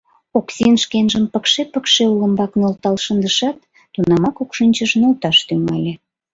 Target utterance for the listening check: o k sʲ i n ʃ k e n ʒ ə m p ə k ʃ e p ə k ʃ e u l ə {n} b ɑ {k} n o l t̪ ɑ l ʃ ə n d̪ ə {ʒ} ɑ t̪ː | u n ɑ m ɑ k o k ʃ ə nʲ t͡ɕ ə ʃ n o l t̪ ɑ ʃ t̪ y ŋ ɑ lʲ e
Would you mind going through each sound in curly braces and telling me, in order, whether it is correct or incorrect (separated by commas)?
incorrect, correct, incorrect